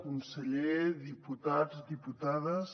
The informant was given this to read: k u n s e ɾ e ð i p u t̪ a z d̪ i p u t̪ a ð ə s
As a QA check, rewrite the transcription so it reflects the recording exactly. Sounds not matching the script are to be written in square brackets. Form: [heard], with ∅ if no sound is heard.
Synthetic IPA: k u n s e [ʎ] e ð i p u t̪ a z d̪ i p u t̪ a ð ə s